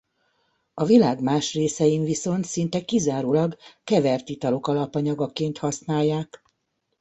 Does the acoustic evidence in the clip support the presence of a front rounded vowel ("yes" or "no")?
no